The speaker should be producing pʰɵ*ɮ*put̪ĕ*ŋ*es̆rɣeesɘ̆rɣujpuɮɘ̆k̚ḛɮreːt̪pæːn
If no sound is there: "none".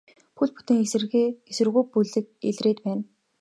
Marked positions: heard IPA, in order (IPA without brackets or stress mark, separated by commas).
ɮ, ŋ